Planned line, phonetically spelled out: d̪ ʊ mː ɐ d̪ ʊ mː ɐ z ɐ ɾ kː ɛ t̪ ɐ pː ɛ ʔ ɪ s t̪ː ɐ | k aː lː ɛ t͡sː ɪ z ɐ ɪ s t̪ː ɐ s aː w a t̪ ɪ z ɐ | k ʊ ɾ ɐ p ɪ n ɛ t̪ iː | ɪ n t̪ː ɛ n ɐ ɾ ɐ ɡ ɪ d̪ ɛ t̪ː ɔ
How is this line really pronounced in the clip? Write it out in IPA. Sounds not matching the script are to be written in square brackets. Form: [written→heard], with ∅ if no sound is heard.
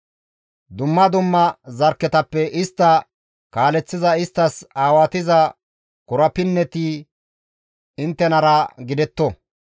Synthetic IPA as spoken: d̪ ʊ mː ɐ d̪ ʊ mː ɐ z ɐ ɾ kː ɛ t̪ ɐ pː ɛ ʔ ɪ s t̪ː ɐ | k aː [lː→l] ɛ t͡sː ɪ z ɐ ɪ s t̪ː ɐ s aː w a t̪ ɪ z ɐ | k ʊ ɾ ɐ p ɪ [n→nː] ɛ t̪ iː | ɪ n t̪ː ɛ n ɐ ɾ ɐ ɡ ɪ d̪ ɛ t̪ː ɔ